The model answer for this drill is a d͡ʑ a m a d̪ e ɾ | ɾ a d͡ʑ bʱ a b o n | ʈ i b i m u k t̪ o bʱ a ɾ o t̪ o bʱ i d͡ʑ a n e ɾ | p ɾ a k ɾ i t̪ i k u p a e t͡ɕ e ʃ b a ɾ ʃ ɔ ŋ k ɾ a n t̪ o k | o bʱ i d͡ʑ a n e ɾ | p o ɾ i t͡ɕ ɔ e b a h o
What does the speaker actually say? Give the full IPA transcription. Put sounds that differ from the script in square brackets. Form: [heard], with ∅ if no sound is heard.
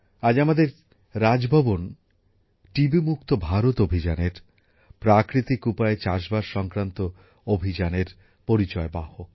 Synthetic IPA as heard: a d͡ʑ a m a d̪ e ɾ | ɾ a d͡ʑ bʱ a b o n | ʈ i b i m u k t̪ o bʱ a ɾ o t̪ o bʱ i d͡ʑ a n e ɾ | p ɾ a k ɾ i t̪ i k u p a e t͡ɕ [a] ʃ b a ɾ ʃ ɔ ŋ k ɾ a n t̪ o [∅] | o bʱ i d͡ʑ a n e ɾ | p o ɾ i t͡ɕ ɔ e b a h o